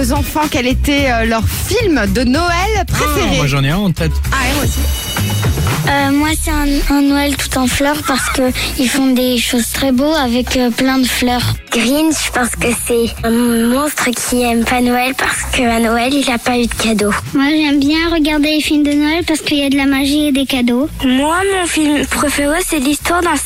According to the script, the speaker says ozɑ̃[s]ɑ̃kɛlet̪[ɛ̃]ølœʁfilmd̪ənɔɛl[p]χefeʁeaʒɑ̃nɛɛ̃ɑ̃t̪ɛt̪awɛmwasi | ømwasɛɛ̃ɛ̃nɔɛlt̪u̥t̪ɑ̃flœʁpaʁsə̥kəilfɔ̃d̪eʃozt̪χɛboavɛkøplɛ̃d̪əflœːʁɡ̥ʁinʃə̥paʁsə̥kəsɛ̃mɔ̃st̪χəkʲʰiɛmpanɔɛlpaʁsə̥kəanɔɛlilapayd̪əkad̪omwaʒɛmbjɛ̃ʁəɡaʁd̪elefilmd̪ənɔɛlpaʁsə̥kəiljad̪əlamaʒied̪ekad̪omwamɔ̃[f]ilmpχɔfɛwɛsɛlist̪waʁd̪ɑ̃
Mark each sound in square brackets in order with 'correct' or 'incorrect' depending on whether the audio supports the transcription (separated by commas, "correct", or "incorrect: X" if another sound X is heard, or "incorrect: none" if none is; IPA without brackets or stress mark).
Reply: incorrect: f, incorrect: ɛ, correct, correct